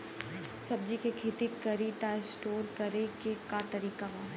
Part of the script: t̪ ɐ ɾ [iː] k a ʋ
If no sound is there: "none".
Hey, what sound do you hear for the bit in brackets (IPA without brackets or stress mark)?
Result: iː